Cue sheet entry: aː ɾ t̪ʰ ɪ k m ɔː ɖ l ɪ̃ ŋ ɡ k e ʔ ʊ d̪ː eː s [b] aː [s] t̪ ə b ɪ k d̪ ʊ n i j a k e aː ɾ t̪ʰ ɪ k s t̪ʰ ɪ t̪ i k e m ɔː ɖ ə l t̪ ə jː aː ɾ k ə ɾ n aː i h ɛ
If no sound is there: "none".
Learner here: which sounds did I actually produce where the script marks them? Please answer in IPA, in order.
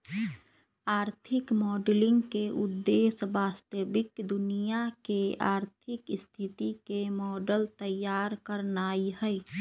b, s

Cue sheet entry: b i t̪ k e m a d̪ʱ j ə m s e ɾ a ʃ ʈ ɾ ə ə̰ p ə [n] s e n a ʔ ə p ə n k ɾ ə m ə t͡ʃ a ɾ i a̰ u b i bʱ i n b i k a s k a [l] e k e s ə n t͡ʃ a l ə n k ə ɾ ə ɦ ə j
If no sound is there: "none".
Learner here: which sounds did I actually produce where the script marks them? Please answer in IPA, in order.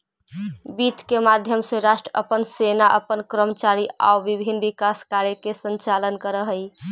n, ɾ

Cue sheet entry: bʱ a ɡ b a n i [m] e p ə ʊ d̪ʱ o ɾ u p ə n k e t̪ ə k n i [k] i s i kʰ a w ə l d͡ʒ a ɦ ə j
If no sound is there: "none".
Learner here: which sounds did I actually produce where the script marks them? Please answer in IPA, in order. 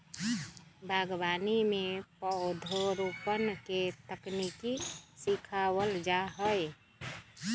m, k

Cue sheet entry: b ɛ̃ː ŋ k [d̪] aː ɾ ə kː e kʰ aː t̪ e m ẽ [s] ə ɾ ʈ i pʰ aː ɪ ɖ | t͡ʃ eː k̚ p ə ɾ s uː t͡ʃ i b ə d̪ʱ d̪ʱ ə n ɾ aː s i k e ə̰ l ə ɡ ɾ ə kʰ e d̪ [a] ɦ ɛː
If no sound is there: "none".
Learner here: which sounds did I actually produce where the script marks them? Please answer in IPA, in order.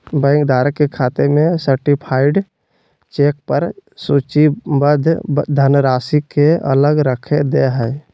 d̪, s, e

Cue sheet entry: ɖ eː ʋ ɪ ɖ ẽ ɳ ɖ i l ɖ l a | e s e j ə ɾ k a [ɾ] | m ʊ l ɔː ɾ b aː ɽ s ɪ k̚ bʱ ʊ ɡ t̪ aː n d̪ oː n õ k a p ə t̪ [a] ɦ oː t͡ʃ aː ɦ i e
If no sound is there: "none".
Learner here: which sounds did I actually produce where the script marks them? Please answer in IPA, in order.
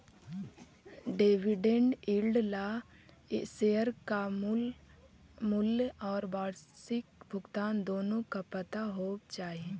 none, a

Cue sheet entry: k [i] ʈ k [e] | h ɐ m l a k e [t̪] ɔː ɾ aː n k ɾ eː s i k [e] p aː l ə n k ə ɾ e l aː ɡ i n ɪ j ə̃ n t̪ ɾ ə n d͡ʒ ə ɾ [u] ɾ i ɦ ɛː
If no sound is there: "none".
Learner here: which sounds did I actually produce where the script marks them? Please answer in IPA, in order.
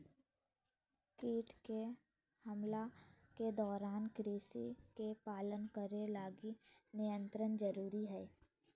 iː, e, d̪, e, uː

